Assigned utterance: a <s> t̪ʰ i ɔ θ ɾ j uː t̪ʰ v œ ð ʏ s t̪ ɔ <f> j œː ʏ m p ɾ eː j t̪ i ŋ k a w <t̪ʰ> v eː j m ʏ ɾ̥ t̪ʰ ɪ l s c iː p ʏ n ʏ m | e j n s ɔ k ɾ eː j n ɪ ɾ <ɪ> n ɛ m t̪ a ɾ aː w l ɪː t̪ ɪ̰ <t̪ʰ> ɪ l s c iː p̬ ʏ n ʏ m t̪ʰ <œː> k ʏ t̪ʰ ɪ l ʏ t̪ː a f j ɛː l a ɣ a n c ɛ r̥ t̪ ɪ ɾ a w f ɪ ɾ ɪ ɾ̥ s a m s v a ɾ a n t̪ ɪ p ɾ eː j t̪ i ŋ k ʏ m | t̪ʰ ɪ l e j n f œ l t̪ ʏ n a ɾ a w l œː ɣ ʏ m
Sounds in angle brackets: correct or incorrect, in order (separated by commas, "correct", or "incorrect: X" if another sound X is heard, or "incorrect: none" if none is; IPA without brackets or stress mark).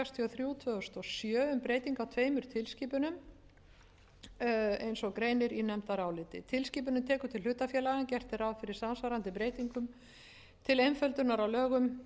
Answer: correct, incorrect: s, correct, incorrect: i, correct, incorrect: ɛː